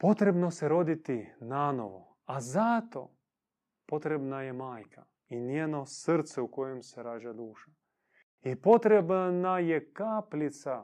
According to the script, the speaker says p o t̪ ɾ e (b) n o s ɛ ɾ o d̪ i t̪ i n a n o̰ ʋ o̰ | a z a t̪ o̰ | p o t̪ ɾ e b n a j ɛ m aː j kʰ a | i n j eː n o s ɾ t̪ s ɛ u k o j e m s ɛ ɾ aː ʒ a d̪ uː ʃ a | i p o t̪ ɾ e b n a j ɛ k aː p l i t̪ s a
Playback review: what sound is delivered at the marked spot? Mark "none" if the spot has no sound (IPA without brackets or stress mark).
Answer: b